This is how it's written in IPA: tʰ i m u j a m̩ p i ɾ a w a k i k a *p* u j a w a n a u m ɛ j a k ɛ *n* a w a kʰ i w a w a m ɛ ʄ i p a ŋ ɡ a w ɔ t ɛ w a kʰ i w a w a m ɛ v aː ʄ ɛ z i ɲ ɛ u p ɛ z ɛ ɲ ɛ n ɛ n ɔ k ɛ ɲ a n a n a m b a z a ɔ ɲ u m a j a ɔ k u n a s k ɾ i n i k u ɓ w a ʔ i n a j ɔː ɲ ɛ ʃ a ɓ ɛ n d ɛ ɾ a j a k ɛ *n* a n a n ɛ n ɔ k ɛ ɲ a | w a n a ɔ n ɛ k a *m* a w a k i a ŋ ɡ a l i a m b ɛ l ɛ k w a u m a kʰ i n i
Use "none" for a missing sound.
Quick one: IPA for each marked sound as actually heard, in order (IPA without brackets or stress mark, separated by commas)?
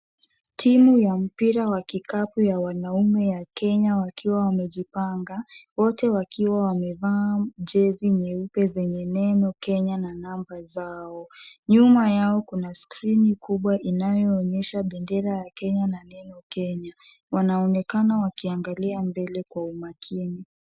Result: p, ɲ, ɲ, n